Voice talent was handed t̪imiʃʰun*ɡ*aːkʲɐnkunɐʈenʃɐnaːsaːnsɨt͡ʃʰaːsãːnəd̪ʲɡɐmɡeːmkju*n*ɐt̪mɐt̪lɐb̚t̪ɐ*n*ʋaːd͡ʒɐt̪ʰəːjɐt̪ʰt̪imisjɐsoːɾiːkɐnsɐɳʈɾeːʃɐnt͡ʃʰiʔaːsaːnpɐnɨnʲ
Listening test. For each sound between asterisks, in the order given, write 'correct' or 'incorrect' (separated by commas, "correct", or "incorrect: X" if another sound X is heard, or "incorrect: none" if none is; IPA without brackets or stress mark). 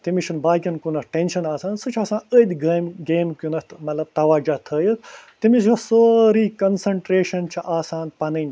incorrect: b, correct, incorrect: none